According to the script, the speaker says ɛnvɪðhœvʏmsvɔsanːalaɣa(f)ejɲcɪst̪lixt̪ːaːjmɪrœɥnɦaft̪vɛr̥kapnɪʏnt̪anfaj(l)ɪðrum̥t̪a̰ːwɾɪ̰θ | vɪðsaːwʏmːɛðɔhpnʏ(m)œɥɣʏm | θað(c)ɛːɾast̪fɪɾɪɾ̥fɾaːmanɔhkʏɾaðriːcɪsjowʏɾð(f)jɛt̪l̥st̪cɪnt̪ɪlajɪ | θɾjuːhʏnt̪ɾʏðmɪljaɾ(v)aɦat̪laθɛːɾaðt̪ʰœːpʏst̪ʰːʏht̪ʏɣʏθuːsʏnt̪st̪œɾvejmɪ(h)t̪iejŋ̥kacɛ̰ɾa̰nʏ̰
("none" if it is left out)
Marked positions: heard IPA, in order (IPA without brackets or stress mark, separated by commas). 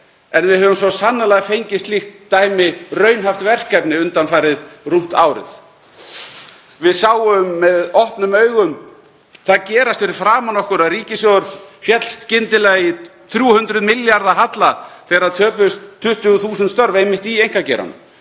f, ɾ, m, c, f, ð, h